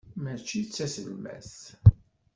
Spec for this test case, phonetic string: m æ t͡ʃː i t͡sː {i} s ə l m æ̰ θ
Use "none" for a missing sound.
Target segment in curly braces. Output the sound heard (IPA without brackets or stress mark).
æ